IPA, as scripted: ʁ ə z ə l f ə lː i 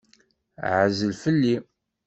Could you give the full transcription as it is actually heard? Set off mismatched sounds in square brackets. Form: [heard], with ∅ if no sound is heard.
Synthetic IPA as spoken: [ʕ] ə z ə l f ə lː i